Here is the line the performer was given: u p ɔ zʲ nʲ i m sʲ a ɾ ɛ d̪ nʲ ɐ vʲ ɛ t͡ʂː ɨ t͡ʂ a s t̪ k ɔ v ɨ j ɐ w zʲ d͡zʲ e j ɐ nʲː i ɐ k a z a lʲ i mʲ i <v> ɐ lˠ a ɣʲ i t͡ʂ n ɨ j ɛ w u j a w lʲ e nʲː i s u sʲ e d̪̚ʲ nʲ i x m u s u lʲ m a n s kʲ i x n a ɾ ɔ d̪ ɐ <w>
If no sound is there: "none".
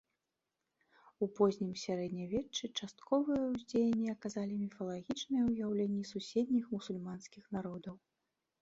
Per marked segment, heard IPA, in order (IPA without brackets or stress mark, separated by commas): f, w